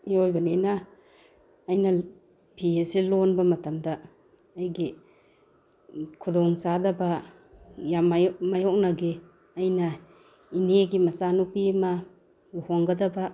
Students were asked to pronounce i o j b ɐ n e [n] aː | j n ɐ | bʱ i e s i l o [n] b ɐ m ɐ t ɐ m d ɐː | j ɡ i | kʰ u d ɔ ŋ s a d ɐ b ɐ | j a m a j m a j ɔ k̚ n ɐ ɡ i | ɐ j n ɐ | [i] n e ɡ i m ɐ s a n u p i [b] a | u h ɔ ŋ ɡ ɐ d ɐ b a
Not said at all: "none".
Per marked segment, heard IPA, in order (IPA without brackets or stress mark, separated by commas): n, n, i, m